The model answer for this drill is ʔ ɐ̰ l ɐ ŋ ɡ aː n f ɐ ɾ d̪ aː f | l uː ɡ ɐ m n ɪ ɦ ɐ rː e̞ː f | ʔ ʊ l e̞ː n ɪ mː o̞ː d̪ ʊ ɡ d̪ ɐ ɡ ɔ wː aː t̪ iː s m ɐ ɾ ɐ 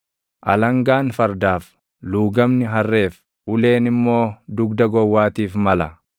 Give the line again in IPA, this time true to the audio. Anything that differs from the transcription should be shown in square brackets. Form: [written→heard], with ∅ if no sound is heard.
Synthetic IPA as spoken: ʔ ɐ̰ l ɐ ŋ ɡ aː n f ɐ ɾ d̪ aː f | l uː ɡ ɐ m n ɪ ɦ ɐ rː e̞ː f | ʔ ʊ l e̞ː n ɪ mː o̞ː d̪ ʊ ɡ d̪ ɐ ɡ ɔ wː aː t̪ iː [s→f] m ɐ [ɾ→l] ɐ